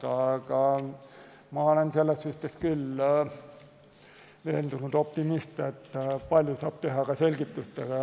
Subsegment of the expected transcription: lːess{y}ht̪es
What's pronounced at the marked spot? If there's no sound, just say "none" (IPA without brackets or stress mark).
y